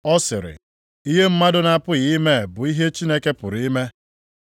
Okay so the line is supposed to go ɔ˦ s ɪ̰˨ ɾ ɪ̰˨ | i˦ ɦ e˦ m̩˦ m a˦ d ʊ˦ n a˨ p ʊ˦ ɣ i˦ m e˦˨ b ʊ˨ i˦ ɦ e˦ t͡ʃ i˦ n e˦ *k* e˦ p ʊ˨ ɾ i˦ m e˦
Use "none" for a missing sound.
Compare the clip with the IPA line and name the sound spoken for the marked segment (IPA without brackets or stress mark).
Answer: k